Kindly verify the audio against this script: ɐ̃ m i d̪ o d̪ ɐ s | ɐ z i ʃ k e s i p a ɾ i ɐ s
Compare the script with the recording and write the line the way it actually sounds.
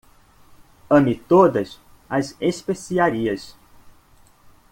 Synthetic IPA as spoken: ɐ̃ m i t̪ o d̪ ɐ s | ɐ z e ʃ p e s i a ɾ i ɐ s